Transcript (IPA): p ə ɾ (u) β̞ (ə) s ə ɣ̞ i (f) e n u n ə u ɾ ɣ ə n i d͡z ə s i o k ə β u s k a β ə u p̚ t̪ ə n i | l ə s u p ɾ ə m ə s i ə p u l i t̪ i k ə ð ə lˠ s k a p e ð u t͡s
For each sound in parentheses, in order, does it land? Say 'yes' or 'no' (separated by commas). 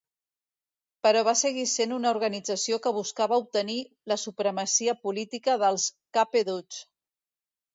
no, no, no